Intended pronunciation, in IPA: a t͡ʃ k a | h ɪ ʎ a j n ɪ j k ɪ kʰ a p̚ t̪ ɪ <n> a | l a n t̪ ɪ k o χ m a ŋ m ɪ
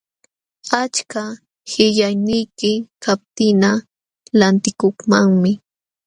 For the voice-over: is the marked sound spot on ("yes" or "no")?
yes